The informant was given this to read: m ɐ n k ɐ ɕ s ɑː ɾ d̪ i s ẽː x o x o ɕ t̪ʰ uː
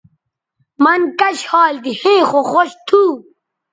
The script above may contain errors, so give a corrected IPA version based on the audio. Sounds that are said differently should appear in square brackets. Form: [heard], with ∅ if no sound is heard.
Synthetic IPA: m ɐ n k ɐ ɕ [h] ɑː [l] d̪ i [h] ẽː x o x o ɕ t̪ʰ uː